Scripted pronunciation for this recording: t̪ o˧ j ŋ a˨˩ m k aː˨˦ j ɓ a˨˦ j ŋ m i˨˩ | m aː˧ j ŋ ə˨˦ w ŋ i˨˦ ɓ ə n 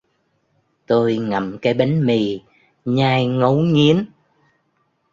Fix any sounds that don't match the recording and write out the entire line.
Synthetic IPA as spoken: t̪ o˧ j ŋ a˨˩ m k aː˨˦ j ɓ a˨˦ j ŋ m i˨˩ | ɲ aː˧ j ŋ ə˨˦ w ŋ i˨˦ ə n